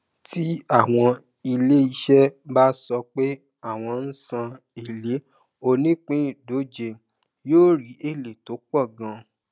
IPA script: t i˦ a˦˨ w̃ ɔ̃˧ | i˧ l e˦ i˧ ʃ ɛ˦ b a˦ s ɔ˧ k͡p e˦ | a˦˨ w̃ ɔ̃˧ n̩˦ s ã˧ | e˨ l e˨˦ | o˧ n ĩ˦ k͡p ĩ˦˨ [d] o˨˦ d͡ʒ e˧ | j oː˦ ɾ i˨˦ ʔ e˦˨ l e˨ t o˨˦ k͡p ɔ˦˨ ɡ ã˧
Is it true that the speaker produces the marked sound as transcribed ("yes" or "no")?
yes